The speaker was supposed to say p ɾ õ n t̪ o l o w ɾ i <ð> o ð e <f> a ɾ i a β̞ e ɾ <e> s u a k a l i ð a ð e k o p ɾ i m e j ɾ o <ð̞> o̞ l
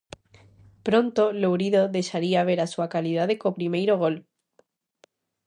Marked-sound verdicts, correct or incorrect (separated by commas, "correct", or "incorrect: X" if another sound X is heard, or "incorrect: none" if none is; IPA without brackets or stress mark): correct, incorrect: ʃ, incorrect: a, incorrect: ɣ̞